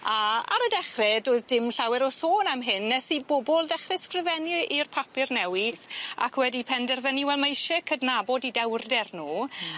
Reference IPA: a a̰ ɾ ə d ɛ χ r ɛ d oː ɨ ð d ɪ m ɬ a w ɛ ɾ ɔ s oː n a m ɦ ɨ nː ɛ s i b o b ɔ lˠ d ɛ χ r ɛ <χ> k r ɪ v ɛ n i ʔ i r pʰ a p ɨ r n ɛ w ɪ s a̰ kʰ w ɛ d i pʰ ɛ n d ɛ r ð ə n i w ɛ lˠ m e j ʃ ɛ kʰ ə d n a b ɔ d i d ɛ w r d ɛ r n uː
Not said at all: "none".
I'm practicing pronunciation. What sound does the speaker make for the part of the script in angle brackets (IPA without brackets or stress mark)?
s